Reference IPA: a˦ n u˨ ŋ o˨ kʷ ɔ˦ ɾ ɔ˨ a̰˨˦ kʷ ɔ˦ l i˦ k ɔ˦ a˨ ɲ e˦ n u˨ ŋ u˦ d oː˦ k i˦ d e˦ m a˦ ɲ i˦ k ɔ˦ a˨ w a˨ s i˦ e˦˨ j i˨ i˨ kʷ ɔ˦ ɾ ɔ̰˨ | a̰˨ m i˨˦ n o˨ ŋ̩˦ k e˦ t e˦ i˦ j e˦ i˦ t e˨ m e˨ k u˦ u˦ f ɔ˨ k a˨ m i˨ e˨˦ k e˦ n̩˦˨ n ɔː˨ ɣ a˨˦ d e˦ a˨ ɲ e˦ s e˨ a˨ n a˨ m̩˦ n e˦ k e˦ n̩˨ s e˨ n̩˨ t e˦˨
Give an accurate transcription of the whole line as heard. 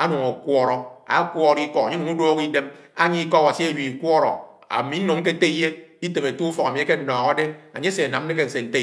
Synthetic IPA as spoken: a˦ n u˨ ŋ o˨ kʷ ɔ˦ ɾ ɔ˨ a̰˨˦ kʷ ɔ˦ ɾ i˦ k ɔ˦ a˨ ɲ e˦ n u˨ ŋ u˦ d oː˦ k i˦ d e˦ m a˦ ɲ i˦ k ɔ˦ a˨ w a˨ s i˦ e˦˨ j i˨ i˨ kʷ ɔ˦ ɾ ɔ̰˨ | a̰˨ m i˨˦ n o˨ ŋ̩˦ k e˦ t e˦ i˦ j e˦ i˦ t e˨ m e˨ t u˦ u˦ f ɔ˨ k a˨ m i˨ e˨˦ k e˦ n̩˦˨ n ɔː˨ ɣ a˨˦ d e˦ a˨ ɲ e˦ s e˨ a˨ n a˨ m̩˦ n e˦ k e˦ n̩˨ s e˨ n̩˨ t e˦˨